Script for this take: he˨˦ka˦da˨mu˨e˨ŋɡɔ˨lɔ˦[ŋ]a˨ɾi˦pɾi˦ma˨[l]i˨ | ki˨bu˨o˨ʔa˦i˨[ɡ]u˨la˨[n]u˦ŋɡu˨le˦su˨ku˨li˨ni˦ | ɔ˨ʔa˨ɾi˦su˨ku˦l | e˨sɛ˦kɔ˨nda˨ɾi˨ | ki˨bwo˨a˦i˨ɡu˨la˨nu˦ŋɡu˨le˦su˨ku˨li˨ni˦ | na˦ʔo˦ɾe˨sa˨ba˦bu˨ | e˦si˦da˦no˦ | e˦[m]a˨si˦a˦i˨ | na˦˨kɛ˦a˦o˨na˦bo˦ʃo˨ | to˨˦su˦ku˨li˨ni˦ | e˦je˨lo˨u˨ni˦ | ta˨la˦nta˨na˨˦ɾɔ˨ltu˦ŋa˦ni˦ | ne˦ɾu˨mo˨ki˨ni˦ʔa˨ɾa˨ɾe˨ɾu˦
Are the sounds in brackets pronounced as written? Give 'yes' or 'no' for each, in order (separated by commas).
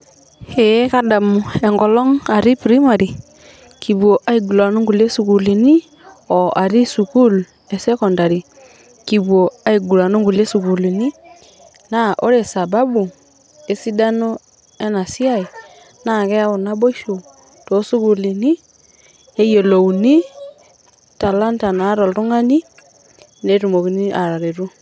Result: yes, no, yes, yes, no